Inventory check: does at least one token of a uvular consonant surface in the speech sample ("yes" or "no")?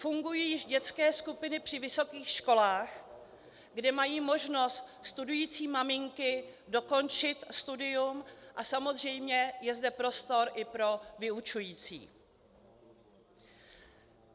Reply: no